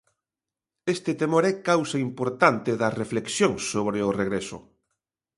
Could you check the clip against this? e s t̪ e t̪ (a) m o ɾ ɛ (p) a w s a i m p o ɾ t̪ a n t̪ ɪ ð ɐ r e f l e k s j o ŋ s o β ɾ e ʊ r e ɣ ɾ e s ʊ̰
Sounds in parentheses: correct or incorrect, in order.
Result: incorrect: e, incorrect: k

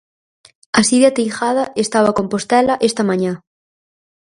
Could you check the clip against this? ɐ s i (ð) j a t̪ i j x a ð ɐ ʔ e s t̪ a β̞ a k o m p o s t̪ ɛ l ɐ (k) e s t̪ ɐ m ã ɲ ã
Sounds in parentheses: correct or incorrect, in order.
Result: correct, incorrect: ʔ

